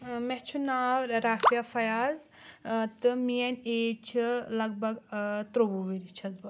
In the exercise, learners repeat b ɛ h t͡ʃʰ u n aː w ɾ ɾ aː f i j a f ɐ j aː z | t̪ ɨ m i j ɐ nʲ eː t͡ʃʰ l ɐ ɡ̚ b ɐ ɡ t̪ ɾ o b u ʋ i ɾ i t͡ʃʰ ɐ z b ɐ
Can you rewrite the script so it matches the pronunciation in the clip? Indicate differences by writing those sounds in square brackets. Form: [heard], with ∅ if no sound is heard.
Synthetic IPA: [m] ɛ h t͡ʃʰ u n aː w ɾ ɾ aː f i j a f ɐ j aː z | t̪ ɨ m i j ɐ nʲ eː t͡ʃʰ l ɐ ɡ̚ b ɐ ɡ t̪ ɾ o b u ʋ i ɾ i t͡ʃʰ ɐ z b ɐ